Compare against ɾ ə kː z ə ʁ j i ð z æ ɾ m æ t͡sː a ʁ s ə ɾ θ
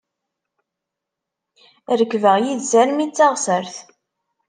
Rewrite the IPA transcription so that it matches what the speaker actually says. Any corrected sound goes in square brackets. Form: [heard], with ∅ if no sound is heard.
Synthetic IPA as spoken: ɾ ə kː [v] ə ʁ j i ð z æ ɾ m [i] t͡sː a ʁ s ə ɾ θ